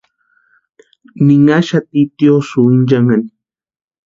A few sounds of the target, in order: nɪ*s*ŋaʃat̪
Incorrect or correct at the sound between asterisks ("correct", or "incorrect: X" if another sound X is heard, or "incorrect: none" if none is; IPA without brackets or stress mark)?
incorrect: none